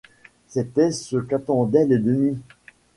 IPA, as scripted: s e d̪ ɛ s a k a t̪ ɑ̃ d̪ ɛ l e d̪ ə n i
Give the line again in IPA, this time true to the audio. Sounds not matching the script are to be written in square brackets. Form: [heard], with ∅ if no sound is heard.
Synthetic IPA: s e [t̪] ɛ s [ə] k a t̪ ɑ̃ d̪ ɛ l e d̪ ə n i